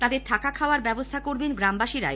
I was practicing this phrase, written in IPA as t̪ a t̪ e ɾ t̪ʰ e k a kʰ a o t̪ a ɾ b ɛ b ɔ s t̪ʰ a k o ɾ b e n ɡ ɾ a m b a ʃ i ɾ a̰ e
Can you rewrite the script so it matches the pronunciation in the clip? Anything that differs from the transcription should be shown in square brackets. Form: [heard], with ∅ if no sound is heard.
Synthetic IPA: t̪ a [d̪] e ɾ t̪ʰ [a] k a kʰ a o [∅] a ɾ b ɛ b [o] s t̪ʰ a k o ɾ b e n ɡ ɾ a m b a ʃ i ɾ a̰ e

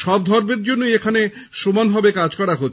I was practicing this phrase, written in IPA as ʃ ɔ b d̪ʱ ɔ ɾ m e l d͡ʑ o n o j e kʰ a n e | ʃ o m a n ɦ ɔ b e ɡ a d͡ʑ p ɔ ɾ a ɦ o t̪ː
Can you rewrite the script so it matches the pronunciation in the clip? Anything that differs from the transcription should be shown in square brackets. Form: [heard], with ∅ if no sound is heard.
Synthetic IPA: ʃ ɔ b d̪ʱ ɔ ɾ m e [ɾ] d͡ʑ o [nː] o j e kʰ a n e | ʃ o m a n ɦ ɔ b e [k] a d͡ʑ [k] ɔ ɾ a ɦ o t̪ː

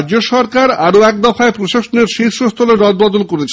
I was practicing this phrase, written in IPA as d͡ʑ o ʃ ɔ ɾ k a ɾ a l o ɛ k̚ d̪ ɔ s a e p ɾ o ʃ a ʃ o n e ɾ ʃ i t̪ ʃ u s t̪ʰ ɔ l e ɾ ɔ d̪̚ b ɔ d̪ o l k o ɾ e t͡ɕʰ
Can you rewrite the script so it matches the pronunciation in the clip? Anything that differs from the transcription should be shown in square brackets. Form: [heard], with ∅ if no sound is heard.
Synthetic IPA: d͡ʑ o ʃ ɔ ɾ k a ɾ a [ɾ] o ɛ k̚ d̪ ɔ [f] a e p ɾ o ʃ a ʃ o n e ɾ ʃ i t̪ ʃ [o] s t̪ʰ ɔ l e ɾ ɔ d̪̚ b ɔ d̪ o l k o ɾ e t͡ɕʰ

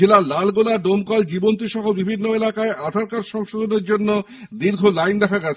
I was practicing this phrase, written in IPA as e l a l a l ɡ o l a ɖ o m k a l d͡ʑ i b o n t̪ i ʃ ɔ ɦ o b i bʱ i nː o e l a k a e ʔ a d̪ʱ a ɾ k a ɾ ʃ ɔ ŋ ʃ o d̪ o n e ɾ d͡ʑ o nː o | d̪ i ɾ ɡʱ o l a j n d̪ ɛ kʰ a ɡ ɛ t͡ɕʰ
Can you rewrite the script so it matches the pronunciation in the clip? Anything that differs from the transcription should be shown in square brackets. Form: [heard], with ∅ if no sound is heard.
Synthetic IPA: e l a l a l ɡ o l a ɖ o m k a l d͡ʑ i b o n t̪ i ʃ ɔ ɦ o b i bʱ i nː o e l a k a e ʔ a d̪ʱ a ɾ k a ɾ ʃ ɔ ŋ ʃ o d̪ o n e ɾ d͡ʑ o nː o | d̪ i ɾ ɡʱ o l a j n d̪ ɛ kʰ a ɡ ɛ t͡ɕʰ

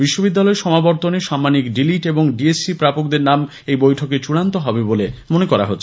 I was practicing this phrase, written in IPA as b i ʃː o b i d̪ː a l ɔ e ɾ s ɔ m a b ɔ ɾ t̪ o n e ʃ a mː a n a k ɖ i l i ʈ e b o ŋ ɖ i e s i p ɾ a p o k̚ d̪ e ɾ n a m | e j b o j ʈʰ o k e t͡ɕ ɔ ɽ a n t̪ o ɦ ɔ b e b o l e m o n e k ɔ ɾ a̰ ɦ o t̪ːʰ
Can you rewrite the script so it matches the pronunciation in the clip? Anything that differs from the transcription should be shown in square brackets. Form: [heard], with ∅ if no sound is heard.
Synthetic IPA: b i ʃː o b i d̪ː a l ɔ e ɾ [ʃ] ɔ m a b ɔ ɾ t̪ o n e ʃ a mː a n [i] k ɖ i l i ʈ e b o ŋ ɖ i e s i p ɾ a p o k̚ d̪ e ɾ n a m | e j b o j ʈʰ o k e t͡ɕ [u] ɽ a n t̪ o ɦ ɔ b e b o l e m o n e k ɔ ɾ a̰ ɦ o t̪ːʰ

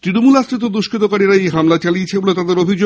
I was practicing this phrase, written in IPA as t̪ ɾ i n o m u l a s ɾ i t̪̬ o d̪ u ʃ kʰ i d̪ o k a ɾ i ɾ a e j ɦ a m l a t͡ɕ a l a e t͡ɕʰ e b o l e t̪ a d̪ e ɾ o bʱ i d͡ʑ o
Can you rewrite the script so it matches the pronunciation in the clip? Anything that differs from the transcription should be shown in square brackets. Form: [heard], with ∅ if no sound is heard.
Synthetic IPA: t̪ ɾ i n o m u l a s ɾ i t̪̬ o d̪ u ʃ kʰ i [t̪] o k a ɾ i ɾ a e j ɦ a m l a t͡ɕ a l [i] e t͡ɕʰ e b o l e t̪ a d̪ e ɾ o bʱ i d͡ʑ o

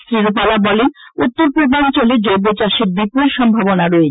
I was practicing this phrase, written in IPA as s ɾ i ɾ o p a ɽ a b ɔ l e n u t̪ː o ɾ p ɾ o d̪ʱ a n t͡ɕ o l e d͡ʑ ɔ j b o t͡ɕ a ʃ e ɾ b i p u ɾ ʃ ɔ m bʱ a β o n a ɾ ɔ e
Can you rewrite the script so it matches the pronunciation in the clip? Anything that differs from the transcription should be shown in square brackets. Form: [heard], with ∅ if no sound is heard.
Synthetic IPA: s ɾ i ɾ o p a [l] a b ɔ l e n u t̪ː o ɾ p ɾ o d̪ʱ a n t͡ɕ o l e d͡ʑ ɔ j b o t͡ɕ a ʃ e ɾ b i p u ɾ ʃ ɔ m bʱ a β o n a ɾ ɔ e

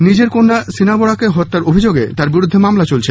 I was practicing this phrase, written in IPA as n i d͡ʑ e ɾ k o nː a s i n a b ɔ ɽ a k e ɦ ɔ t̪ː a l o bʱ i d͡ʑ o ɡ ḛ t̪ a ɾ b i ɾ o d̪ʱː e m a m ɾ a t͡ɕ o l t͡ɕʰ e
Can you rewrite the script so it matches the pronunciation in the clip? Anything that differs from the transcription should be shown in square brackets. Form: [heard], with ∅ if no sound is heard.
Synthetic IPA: n i d͡ʑ e ɾ k o nː a s i n a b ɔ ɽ a k e ɦ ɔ t̪ː a [ɾ] o bʱ i d͡ʑ o ɡ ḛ t̪ a ɾ b i ɾ [u] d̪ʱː e m a m [l] a t͡ɕ o l t͡ɕʰ e

